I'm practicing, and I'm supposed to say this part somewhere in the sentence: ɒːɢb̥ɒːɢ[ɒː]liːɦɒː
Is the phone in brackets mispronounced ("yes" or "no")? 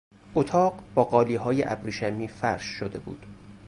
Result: no